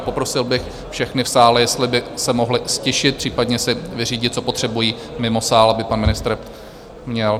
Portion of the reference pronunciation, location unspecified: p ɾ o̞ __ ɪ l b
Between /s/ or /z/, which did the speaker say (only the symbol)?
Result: s